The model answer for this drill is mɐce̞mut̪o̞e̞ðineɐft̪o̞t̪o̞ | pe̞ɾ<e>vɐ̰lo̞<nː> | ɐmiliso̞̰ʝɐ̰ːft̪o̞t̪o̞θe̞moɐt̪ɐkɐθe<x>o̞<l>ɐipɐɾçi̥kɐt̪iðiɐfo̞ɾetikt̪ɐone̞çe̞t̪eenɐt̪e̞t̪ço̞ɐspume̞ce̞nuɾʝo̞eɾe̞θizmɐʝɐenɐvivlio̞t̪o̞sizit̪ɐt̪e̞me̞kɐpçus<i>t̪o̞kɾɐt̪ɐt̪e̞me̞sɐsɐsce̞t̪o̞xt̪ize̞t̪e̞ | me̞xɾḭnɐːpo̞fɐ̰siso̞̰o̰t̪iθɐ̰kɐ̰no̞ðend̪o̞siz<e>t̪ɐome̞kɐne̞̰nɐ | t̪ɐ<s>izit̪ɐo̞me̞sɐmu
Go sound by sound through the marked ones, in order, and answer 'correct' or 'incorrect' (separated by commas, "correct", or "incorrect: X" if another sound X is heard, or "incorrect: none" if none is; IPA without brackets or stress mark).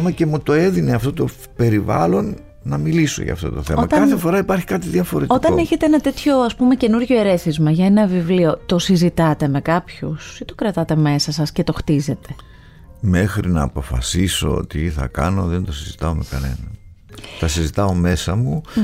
incorrect: i, correct, incorrect: f, incorrect: ɾ, correct, incorrect: i, correct